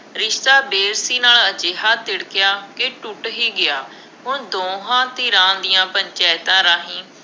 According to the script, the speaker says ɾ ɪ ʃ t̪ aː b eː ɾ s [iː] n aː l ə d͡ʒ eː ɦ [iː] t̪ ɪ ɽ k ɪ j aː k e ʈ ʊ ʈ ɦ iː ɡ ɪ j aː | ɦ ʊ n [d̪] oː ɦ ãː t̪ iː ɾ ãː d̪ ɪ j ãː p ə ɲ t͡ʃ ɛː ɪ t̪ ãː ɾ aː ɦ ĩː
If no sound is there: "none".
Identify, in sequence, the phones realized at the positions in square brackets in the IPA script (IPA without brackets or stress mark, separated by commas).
iː, aː, d̪